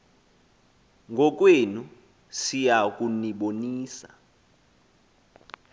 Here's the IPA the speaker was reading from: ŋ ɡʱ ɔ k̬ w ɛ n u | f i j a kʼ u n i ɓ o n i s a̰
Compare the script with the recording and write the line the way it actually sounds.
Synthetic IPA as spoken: ŋ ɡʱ ɔ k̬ w e n u | s i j a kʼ u n i ɓ o n iː s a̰